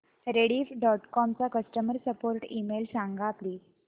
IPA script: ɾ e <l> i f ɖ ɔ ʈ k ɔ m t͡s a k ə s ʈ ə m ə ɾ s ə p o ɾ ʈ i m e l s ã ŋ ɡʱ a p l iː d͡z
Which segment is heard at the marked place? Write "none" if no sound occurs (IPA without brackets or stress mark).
ɽ